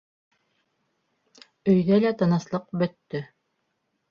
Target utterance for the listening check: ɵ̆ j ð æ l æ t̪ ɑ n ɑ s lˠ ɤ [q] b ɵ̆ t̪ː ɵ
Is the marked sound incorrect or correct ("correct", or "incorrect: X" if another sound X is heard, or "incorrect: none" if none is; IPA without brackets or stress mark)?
correct